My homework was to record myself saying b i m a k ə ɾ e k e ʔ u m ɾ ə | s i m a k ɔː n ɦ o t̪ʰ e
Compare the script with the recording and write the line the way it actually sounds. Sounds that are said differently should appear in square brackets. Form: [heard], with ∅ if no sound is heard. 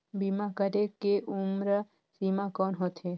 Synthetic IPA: b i m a k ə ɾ e k e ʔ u m ɾ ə | s i m a k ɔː n ɦ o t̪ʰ e